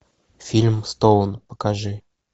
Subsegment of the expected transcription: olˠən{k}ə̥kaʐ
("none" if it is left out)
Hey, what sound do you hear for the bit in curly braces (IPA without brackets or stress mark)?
p